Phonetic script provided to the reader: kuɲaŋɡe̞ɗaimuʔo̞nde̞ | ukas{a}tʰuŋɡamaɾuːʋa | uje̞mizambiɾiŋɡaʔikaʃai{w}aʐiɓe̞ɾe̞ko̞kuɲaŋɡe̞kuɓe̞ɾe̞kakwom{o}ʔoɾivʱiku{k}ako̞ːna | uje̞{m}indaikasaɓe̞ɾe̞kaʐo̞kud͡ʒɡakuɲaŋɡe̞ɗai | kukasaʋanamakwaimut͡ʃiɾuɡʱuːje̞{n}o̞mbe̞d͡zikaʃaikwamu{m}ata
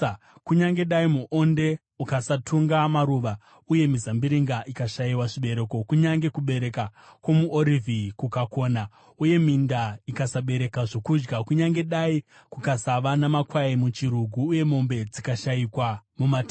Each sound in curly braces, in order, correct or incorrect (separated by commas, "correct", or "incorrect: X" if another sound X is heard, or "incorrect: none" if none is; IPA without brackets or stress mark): correct, correct, incorrect: u, correct, correct, incorrect: m, correct